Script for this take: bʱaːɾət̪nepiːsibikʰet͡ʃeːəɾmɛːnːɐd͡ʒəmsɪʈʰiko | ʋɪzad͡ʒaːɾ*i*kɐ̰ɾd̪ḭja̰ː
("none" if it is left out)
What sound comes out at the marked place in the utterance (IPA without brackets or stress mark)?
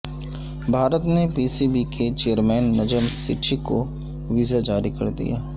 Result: i